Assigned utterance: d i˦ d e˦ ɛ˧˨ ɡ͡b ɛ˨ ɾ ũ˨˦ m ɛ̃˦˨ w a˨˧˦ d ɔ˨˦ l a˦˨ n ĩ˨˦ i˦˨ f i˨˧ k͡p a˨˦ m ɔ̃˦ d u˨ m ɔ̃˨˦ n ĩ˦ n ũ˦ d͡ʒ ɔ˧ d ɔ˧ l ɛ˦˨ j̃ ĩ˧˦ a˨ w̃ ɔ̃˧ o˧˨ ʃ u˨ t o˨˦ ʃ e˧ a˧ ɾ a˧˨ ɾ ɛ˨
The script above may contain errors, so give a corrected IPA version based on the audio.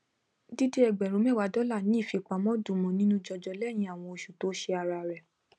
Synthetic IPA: d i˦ d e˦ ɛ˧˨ ɡ͡b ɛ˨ ɾ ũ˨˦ m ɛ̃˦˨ w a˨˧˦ d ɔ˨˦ l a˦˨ n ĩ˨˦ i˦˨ f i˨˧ k͡p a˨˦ m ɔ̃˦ d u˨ m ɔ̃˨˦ n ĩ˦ n ũ˦ d͡ʒ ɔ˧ d͡ʒ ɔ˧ l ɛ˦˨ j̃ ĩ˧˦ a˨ w̃ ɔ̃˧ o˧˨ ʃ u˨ t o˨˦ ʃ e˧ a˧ ɾ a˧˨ ɾ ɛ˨